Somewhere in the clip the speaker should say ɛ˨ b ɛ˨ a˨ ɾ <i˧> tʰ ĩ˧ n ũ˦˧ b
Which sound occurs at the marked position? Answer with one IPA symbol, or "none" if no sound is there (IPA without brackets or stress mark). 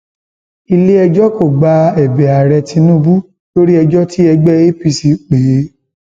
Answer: ɛ˧